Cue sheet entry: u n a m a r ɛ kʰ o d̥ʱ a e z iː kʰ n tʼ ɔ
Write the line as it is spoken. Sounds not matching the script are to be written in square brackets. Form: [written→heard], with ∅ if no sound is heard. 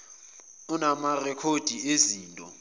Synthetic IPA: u n a m a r ɛ kʰ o d̥ʱ [a→i] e z iː [kʰ→∅] n tʼ ɔ